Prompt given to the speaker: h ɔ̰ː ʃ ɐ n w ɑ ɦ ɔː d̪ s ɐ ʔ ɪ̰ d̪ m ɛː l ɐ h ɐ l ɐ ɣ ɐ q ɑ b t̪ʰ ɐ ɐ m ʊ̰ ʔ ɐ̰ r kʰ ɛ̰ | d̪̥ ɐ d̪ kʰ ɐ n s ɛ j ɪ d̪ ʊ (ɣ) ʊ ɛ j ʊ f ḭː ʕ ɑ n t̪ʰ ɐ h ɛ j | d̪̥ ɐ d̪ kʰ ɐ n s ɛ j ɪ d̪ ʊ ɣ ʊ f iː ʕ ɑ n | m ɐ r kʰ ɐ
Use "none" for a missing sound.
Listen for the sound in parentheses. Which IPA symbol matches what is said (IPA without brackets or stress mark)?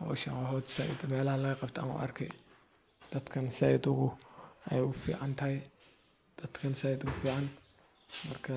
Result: ɣ